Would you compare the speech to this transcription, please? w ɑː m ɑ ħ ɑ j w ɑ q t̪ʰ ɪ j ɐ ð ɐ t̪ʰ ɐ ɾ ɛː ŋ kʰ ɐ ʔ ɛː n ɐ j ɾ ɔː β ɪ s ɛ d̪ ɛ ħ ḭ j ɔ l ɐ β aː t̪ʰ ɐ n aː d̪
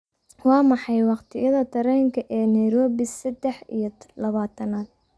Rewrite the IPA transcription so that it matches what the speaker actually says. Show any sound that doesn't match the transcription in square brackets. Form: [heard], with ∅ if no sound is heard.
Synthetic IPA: w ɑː m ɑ ħ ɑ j w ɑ q t̪ʰ ɪ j ɐ ð ɐ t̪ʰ ɐ ɾ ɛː ŋ kʰ ɐ ʔ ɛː n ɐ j ɾ ɔː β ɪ s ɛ d̪ ɛ ħ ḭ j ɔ l ɐ β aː t̪ʰ ɐ n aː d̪

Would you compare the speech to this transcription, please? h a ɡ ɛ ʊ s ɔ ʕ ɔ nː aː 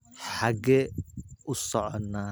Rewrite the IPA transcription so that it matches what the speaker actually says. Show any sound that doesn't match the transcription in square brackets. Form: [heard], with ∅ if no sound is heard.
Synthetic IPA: [ħ] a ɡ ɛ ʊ s ɔ ʕ ɔ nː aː

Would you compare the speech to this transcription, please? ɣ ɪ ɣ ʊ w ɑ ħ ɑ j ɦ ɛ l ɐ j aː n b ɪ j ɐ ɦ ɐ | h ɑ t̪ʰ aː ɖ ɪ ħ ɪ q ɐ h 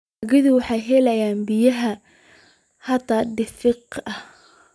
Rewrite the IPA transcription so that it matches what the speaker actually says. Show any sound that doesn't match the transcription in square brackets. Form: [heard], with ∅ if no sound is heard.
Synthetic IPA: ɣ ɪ [ð] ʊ w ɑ ħ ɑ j ɦ ɛ l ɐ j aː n b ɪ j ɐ ɦ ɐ | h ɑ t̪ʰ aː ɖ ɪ [f] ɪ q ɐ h

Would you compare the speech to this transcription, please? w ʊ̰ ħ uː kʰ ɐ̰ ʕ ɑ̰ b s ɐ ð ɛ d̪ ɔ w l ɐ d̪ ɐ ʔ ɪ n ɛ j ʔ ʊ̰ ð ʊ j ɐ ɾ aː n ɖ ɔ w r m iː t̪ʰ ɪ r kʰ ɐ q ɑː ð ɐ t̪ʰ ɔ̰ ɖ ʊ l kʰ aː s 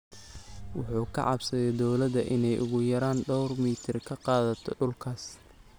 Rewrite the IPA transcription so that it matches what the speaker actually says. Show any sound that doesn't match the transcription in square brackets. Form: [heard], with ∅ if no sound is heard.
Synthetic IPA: w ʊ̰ ħ uː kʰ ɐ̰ ʕ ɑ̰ b s ɐ ð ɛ d̪ ɔ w l ɐ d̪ ɐ ʔ ɪ n ɛ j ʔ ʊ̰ [ɣ] ʊ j ɐ ɾ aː n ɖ ɔ w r m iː t̪ʰ ɪ r kʰ ɐ q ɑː ð ɐ t̪ʰ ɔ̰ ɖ ʊ l kʰ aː s

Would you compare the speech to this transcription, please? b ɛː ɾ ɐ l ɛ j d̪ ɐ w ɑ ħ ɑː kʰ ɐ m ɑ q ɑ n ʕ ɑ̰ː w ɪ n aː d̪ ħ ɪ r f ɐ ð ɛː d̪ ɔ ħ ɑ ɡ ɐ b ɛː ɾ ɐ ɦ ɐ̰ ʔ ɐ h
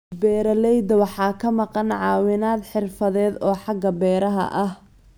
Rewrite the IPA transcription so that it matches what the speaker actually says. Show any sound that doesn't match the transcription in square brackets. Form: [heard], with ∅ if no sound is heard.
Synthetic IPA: b ɛː ɾ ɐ l ɛ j d̪ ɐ w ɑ ħ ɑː kʰ ɐ m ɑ q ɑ n ʕ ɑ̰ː w ɪ n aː d̪ ħ ɪ r f ɐ ð ɛː d̪ [ɔː] ħ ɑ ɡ ɐ b ɛː ɾ ɐ ɦ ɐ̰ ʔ ɐ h

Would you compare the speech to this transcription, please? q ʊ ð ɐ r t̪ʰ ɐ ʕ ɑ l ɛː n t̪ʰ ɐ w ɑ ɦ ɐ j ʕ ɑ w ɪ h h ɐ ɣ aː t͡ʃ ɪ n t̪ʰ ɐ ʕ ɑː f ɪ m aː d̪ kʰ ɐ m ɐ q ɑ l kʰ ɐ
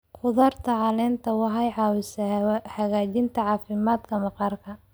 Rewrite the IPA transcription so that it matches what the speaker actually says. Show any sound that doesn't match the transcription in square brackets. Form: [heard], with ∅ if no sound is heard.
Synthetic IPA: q ʊ ð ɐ r t̪ʰ ɐ ʕ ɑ l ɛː n t̪ʰ ɐ w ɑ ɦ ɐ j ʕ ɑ w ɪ [s] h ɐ ɣ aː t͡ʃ ɪ n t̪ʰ ɐ ʕ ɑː f ɪ m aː d̪ kʰ ɐ m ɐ q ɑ [r] kʰ ɐ

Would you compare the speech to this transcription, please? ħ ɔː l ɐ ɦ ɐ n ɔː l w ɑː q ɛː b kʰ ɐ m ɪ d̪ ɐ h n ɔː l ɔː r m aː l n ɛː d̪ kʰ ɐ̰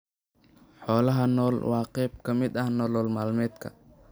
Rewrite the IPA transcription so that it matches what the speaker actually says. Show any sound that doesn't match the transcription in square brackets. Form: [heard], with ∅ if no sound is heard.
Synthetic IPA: ħ ɔː l ɐ ɦ ɐ n ɔː l w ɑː q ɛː b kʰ ɐ m ɪ d̪ ɐ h n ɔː l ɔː [l] m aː l [m] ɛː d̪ kʰ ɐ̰

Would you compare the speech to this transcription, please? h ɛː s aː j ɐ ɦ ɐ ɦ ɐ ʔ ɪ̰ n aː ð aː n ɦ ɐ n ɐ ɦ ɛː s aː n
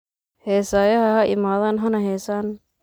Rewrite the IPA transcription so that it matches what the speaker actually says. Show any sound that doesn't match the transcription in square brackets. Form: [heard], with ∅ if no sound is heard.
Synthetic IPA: h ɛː s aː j ɐ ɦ ɐ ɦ ɐ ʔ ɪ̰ [m] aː ð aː n ɦ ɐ n ɐ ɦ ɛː s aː n

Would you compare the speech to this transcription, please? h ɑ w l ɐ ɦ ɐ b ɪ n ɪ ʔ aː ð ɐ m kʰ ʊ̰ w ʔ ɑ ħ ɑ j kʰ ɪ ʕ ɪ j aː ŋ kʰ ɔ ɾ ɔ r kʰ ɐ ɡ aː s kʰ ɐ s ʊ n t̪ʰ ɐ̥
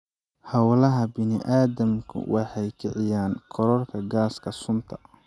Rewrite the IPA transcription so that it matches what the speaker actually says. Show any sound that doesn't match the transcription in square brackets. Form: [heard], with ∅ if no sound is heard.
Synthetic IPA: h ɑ w l ɐ ɦ ɐ b ɪ n ɪ ʔ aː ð ɐ m kʰ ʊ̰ w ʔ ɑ ħ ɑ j kʰ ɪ ʕ ɪ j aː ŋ kʰ ɔ ɾ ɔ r kʰ ɐ ɡ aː s kʰ ɐ s ʊ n t̪ʰ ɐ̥

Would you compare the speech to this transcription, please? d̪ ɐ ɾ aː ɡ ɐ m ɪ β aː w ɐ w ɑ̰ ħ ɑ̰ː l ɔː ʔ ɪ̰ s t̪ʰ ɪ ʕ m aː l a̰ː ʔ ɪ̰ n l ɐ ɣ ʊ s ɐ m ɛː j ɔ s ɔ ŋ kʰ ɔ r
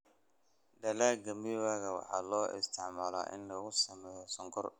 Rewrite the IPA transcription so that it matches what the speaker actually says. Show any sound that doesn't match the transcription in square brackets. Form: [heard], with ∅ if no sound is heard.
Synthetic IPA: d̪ ɐ [l] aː ɡ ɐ m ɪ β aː [ɣ] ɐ w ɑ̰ ħ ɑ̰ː l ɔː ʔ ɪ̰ s t̪ʰ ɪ ʕ m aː l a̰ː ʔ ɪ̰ n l ɐ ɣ ʊ s ɐ m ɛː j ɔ s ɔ ŋ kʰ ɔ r

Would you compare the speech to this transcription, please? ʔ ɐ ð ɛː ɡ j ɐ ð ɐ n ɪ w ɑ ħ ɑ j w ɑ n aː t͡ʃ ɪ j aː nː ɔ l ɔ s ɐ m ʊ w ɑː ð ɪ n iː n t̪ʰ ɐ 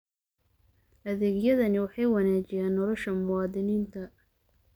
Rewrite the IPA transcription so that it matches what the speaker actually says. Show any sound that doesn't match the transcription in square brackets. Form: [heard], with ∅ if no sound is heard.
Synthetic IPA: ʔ ɐ ð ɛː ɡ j ɐ ð ɐ n ɪ w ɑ ħ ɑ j w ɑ n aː t͡ʃ ɪ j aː nː ɔ l ɔ [ʃ] ɐ m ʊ w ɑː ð ɪ n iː n t̪ʰ ɐ

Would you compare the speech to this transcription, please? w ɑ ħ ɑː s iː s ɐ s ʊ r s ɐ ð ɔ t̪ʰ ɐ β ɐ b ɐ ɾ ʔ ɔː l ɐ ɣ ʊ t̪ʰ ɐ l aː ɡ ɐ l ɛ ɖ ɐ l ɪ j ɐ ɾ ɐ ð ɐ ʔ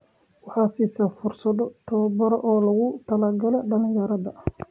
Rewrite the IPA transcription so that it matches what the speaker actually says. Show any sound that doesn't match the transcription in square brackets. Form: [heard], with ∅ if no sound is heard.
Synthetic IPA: w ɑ ħ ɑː s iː s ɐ [f] ʊ r s ɐ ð ɔ t̪ʰ ɐ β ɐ b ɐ ɾ ʔ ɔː l ɐ ɣ ʊ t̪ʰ ɐ l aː ɡ ɐ l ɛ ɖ ɐ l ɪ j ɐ ɾ ɐ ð ɐ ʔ

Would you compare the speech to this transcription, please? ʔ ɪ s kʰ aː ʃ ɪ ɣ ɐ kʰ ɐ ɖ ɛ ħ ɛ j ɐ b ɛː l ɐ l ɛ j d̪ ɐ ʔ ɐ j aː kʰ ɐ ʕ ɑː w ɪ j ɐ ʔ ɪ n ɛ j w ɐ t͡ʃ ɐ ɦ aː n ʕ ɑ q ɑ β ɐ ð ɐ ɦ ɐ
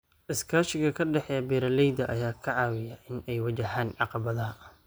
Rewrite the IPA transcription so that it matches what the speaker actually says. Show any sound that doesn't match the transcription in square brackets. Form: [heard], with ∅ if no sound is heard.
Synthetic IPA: ʔ ɪ s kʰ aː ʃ ɪ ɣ ɐ kʰ ɐ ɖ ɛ ħ ɛ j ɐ b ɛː [ɾ] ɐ l ɛ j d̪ ɐ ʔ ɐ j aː kʰ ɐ ʕ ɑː w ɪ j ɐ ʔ ɪ n ɛ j w ɐ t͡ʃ ɐ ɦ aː n ʕ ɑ q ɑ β ɐ ð ɐ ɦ ɐ

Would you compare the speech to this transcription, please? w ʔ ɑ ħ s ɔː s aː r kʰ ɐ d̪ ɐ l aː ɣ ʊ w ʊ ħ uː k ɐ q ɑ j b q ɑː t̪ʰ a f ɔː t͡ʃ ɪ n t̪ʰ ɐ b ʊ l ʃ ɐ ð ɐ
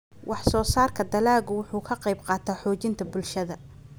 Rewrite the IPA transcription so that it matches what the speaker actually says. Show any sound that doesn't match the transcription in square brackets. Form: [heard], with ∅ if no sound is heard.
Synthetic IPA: w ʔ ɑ ħ s ɔː s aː r kʰ ɐ d̪ ɐ l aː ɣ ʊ w ʊ ħ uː [kʰ] ɐ q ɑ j b q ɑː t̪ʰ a [ħ] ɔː t͡ʃ ɪ n t̪ʰ ɐ b ʊ l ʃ ɐ ð ɐ

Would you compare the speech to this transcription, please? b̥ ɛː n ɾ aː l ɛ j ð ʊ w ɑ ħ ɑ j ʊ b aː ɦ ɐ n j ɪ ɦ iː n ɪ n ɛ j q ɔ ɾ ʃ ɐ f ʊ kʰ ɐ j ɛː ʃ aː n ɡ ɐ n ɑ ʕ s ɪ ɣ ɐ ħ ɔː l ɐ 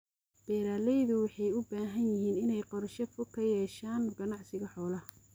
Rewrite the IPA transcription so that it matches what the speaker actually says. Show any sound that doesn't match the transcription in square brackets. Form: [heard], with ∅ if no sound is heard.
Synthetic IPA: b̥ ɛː [∅] ɾ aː l ɛ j ð ʊ w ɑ ħ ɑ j ʊ b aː ɦ ɐ n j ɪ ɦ iː n ɪ n ɛ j q ɔ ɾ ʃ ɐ f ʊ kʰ ɐ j ɛː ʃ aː n ɡ ɐ n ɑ ʕ s ɪ ɣ ɐ ħ ɔː l ɐ

